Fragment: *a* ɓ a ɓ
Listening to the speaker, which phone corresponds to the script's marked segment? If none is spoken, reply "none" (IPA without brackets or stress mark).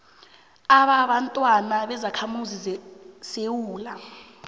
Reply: a